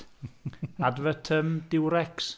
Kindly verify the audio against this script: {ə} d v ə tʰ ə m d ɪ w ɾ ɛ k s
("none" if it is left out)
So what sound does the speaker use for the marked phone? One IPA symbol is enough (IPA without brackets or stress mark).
a